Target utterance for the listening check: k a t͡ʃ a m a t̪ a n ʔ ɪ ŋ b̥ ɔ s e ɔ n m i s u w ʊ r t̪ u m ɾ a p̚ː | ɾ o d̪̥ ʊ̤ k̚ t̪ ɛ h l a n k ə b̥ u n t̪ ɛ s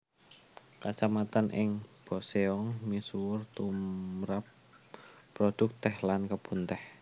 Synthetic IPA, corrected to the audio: k a t͡ʃ a m a t̪ a n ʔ ɪ ŋ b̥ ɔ s e ɔ ŋ m i s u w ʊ r t̪ u m ɾ a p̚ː | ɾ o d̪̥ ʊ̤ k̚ t̪ ɛ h l a n k ə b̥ u n t̪ ɛ h